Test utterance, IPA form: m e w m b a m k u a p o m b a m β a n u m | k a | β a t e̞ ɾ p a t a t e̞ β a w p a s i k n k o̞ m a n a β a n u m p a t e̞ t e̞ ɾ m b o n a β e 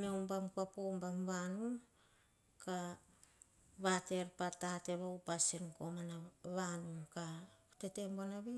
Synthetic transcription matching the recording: m e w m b a m k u a p o m b a m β a n u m | k a | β a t e̞ ɾ p a t a t e̞ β a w p a s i n k o̞ m a n a β a n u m k a t e̞ t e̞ m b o n a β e